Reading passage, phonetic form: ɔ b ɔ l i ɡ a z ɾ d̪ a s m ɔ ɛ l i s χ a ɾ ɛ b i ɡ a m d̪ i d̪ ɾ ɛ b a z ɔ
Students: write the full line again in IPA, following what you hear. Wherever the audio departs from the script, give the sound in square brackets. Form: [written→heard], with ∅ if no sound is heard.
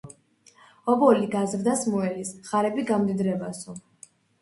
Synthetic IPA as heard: ɔ b ɔ l i ɡ a z ɾ d̪ a s m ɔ ɛ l i s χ a ɾ ɛ b i ɡ a m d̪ i d̪ ɾ ɛ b a [z→s] ɔ

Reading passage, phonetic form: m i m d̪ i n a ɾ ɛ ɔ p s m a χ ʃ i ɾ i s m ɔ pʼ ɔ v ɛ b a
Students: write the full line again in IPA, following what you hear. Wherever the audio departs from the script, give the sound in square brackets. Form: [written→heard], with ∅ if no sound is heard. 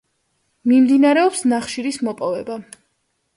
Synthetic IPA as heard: m i m d̪ i n a ɾ ɛ ɔ p s [m→n] a χ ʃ i ɾ i s m ɔ pʼ ɔ v ɛ b a

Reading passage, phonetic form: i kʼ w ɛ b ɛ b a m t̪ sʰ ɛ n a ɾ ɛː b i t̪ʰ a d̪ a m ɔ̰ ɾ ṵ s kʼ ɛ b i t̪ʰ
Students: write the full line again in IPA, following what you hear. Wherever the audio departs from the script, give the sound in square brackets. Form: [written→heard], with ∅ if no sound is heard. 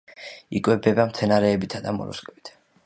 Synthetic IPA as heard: i kʼ w ɛ b ɛ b a m t̪ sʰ ɛ n a ɾ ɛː b i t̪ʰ a d̪ a m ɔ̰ ɾ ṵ s kʼ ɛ b i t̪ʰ

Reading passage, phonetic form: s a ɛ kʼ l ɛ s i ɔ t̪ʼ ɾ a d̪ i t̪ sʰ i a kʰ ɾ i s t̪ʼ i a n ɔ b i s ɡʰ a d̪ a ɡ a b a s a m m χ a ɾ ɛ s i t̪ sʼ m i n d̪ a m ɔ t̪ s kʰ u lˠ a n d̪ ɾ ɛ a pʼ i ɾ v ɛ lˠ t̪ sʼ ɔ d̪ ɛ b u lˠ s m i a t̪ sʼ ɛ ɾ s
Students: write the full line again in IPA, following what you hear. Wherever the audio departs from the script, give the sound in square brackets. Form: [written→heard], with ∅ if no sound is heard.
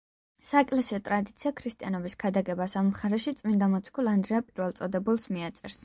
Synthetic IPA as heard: s a ɛ kʼ l ɛ s i ɔ t̪ʼ ɾ a d̪ i t̪ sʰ i a kʰ ɾ i s t̪ʼ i a n ɔ b i s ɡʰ a d̪ a ɡ [a→ɛ] b a s a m m χ a ɾ ɛ [s→ʃ] i t̪ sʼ m i n d̪ a m ɔ t̪ s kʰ u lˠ a n d̪ ɾ ɛ a pʼ i ɾ v ɛ lˠ t̪ sʼ ɔ d̪ ɛ b u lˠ s m i a t̪ sʼ ɛ ɾ s

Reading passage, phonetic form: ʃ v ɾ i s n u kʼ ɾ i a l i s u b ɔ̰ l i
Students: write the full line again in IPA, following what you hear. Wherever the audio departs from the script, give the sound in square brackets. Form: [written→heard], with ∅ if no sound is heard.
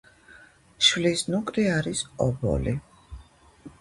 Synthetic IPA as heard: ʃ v [ɾ→l] i s n u kʼ ɾ i a [l→ɾ] i s [u→ɔ] b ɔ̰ l i

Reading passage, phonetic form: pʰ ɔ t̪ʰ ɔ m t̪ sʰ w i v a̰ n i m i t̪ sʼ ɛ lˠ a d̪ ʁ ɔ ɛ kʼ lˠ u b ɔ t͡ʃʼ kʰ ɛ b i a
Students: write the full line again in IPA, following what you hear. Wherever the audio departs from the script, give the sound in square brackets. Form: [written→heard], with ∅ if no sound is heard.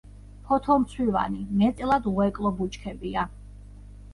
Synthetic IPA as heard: pʰ ɔ t̪ʰ ɔ m t̪ sʰ w i v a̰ n i m [i→ɛ] t̪ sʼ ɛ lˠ a d̪ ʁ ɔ ɛ kʼ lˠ [u→ɔ] b [ɔ→u] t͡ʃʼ kʰ ɛ b i a

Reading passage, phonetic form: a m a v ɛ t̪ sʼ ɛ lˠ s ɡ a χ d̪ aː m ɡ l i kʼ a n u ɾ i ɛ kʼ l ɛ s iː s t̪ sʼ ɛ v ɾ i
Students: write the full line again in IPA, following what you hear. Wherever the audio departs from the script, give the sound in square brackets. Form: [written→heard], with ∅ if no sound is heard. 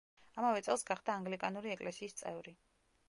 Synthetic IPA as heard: a m a v ɛ t̪ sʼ ɛ lˠ s ɡ a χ d̪ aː [m→ŋ] ɡ l i kʼ a n u ɾ i ɛ kʼ l ɛ s iː s t̪ sʼ ɛ v ɾ i

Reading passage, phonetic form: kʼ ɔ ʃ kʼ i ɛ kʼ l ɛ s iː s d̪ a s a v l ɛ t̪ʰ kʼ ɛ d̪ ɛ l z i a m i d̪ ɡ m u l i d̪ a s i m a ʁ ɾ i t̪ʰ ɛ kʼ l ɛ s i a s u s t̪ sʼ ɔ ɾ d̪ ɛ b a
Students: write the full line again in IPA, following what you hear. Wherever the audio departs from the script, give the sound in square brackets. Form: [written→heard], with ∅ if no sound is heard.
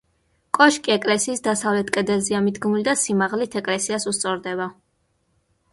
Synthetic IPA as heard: kʼ ɔ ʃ kʼ i ɛ kʼ l ɛ s iː s d̪ a s a v l ɛ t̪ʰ kʼ ɛ d̪ ɛ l z i a m i d̪ ɡ m u l i d̪ a s i m a ʁ [ɾ→l] i t̪ʰ ɛ kʼ l ɛ s i a s u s t̪ sʼ ɔ ɾ d̪ ɛ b a

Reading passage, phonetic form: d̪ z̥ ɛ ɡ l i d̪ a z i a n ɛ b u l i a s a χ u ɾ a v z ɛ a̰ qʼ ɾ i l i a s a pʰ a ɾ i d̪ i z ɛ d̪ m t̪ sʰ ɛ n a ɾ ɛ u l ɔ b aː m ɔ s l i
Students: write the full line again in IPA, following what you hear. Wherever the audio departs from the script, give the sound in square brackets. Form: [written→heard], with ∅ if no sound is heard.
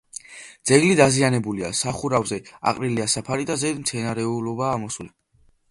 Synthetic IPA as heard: d̪ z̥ ɛ ɡ l i d̪ a z i a n ɛ b u l i a s a χ u ɾ a v z ɛ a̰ qʼ ɾ i l i a s a pʰ a ɾ i d̪ [i→a] z ɛ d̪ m t̪ sʰ ɛ n a ɾ ɛ u l ɔ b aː m ɔ s l i

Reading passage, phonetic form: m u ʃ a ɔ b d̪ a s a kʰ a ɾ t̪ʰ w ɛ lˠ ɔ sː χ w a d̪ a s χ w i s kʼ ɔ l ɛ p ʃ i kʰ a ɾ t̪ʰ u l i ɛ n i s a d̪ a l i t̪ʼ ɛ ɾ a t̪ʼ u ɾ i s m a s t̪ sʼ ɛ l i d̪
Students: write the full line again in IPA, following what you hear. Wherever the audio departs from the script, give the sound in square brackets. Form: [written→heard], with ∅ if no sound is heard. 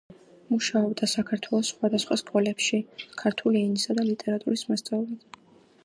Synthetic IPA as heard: m u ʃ a ɔ b d̪ a s a kʰ a ɾ t̪ʰ w ɛ lˠ ɔ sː χ w a d̪ a s χ w [i→a] s kʼ ɔ l ɛ p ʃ i kʰ a ɾ t̪ʰ u l i ɛ n i s a d̪ a l i t̪ʼ ɛ ɾ a t̪ʼ u ɾ i s m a s t̪ sʼ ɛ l i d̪

